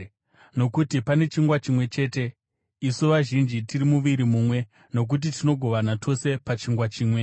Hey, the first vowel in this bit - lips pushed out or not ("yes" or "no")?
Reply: yes